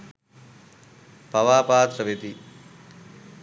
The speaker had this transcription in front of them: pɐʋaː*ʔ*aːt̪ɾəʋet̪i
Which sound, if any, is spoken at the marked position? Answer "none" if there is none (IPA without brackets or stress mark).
p